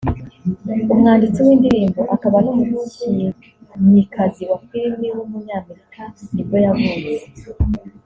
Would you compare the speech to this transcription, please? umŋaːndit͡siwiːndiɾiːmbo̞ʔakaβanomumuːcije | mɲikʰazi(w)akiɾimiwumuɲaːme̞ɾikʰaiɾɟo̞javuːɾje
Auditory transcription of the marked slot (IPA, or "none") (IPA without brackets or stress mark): w